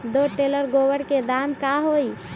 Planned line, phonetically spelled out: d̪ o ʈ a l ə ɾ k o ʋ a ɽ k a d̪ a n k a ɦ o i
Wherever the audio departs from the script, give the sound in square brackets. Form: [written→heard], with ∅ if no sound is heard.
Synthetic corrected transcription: d̪ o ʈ [a→e] l ə ɾ [k→ɡ] o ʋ [a→ə] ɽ k [a→e] d̪ a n k a ɦ o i